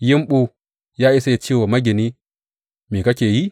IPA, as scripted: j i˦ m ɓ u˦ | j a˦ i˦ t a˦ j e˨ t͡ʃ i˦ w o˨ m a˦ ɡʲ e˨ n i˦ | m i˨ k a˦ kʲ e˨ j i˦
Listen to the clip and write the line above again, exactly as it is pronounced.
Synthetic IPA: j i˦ m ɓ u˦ | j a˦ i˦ s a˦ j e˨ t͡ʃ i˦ w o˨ m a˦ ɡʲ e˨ n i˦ | m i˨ k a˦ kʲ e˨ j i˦